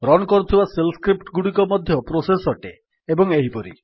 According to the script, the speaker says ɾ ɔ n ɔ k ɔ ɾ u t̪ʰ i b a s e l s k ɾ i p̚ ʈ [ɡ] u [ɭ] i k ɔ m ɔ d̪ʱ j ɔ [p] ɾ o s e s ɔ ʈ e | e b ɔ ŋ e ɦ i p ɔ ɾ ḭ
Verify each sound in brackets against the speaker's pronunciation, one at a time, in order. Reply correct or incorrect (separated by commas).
correct, incorrect, correct